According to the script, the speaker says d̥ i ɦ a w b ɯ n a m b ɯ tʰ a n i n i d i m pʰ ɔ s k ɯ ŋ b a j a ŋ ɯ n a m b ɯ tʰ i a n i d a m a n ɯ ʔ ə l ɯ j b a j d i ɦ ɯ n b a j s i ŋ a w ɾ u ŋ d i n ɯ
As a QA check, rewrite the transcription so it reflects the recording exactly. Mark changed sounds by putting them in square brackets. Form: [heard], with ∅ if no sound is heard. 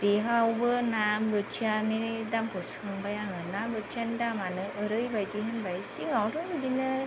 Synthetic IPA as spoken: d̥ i ɦ a w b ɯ n a m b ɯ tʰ a n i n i d [a] m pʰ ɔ s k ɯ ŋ b a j a ŋ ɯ n a m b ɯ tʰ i a n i d a m a n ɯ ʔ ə [ɾ] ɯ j b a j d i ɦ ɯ n b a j s i ŋ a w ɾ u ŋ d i n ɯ